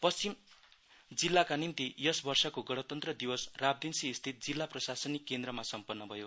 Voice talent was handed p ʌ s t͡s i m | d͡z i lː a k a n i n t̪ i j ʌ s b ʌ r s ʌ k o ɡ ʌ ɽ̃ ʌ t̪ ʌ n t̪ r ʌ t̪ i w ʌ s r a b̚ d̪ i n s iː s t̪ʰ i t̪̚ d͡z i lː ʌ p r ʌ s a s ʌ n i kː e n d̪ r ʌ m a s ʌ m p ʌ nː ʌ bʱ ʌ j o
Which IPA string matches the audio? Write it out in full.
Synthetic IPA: p ʌ s t͡s i m | d͡z i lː a k a n i n t̪ i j ʌ s b ʌ r s ʌ k o ɡ ʌ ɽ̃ ʌ t̪ ʌ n t̪ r ʌ d̪ i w ʌ s r a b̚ d̪ i n s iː s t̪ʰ i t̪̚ d͡z i lː a p r ʌ s a s ʌ n i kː e n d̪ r ʌ m a s ʌ m p ʌ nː ʌ bʱ ʌ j o